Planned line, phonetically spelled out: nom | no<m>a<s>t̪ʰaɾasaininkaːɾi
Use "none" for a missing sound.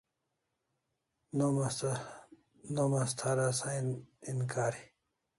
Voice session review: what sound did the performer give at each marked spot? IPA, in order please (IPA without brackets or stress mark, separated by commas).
m, s